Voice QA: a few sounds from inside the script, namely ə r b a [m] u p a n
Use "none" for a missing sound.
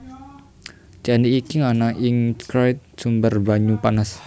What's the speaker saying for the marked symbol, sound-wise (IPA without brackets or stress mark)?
ɲ